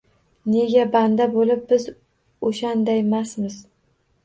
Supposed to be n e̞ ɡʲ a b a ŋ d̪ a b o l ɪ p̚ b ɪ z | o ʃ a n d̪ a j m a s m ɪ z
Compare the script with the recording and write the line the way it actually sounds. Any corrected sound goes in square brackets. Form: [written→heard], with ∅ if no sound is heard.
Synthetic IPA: n e̞ ɡʲ a b a [ŋ→n] d̪ a b o l ɪ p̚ b ɪ z | o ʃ a n d̪ a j m a s m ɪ z